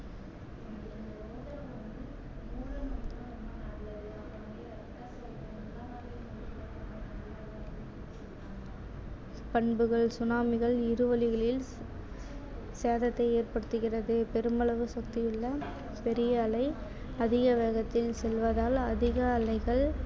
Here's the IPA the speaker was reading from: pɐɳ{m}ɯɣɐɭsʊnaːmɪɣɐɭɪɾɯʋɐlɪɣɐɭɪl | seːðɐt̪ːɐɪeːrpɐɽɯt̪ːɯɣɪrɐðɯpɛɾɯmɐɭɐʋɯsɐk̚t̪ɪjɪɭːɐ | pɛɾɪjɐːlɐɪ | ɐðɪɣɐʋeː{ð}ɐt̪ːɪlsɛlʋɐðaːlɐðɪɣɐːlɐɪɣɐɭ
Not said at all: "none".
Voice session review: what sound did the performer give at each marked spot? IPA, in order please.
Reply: b, ɣ

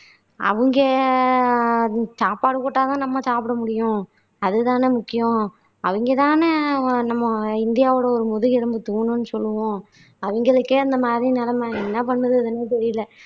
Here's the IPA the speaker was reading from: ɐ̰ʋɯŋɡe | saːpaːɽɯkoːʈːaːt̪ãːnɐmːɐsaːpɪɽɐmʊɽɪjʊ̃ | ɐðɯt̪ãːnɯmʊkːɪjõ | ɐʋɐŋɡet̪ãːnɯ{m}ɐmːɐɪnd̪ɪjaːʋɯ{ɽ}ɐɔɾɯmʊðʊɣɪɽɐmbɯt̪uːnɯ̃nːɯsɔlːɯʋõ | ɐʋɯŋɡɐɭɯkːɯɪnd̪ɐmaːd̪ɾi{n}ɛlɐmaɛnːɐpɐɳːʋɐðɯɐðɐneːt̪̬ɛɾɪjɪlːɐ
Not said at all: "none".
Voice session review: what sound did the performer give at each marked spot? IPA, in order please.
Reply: n, ɽ, n

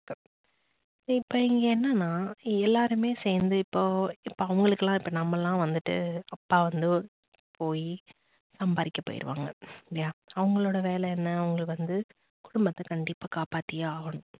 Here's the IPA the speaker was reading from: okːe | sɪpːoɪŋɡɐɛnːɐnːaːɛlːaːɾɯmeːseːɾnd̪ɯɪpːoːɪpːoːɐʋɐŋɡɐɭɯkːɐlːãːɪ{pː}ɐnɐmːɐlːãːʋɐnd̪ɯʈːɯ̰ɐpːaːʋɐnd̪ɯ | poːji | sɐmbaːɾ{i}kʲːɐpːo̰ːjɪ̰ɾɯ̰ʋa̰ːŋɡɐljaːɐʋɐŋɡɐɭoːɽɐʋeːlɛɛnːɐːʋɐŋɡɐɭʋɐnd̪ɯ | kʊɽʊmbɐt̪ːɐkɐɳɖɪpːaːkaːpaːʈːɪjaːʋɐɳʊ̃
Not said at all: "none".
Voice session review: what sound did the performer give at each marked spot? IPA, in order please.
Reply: pː, ɪ

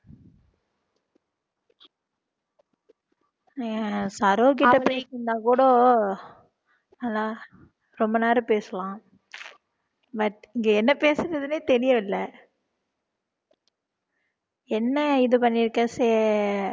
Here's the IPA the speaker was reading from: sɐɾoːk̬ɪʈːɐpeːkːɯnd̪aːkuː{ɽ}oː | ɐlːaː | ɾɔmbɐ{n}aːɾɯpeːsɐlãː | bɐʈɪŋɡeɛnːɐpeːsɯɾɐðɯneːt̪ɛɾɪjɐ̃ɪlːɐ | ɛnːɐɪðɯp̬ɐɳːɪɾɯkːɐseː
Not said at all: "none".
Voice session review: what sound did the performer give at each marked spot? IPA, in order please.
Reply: ɽ, n

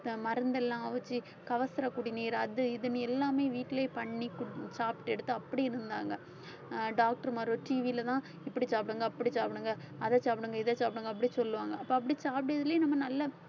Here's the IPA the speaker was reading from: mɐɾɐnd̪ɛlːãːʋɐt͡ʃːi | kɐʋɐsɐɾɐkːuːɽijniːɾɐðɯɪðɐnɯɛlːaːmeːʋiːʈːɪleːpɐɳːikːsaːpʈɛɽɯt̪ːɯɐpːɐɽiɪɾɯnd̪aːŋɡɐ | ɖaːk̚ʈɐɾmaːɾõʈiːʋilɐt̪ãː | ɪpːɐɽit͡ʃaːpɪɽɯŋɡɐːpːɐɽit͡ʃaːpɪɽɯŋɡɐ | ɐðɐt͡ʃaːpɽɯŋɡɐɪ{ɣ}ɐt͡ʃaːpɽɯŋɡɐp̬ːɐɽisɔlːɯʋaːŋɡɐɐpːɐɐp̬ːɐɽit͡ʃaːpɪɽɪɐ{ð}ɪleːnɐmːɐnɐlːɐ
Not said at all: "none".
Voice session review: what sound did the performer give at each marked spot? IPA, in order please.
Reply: ð, ð

